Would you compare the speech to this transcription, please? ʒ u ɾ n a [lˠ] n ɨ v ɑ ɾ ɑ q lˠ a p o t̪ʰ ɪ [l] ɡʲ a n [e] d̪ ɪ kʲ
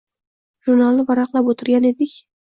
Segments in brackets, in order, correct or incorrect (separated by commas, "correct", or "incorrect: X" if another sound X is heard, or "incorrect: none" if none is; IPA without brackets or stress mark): correct, incorrect: ɾ, correct